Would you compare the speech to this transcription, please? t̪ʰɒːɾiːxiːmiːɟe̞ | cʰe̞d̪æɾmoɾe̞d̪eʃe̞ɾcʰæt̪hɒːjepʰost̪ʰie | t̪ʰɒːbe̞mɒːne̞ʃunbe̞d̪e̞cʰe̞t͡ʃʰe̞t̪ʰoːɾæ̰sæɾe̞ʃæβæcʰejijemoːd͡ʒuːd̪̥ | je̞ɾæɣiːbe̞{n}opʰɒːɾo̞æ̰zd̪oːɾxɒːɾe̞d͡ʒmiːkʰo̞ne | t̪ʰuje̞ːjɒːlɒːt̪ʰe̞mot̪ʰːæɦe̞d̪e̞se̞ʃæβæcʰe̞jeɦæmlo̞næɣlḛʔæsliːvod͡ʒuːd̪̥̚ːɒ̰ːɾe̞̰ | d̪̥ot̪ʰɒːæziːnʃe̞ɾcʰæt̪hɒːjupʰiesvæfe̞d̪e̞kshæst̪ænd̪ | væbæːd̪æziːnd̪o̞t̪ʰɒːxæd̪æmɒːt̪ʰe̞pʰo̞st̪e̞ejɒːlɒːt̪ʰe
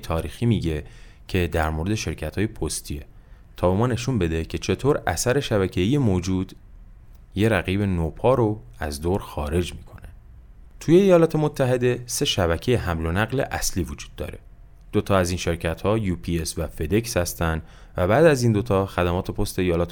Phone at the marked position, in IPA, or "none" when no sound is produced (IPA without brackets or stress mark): n